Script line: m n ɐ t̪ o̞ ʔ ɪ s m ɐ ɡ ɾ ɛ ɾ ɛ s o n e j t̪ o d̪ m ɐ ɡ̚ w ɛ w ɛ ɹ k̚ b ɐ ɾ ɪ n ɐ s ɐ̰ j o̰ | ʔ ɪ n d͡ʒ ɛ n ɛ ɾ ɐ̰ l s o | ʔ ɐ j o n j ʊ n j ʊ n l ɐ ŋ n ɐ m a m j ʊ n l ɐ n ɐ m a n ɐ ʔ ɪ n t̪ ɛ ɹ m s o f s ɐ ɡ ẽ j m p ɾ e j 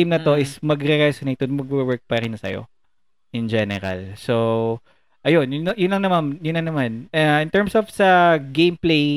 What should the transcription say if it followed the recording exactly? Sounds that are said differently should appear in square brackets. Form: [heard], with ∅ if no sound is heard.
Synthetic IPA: m n ɐ t̪ o̞ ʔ ɪ s m ɐ ɡ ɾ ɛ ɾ ɛ s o n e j t̪ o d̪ m ɐ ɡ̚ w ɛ w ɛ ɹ k̚ [p] ɐ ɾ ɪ n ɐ s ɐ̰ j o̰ | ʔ ɪ n d͡ʒ ɛ n ɛ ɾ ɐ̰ l s o | ʔ ɐ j o n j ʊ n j ʊ n l ɐ ŋ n ɐ m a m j ʊ n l ɐ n ɐ m a n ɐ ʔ ɪ n t̪ ɛ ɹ m s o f s ɐ ɡ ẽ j m p [l] e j